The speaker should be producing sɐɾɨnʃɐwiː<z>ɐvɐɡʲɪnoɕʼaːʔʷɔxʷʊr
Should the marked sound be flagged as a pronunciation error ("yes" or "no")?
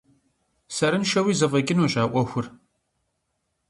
no